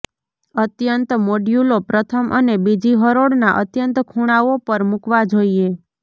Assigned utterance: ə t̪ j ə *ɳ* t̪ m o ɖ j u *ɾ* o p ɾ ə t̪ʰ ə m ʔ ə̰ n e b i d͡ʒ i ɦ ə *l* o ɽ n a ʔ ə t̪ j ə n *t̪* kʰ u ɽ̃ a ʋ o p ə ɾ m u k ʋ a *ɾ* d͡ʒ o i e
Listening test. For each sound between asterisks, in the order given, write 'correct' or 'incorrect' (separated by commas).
incorrect, incorrect, incorrect, correct, incorrect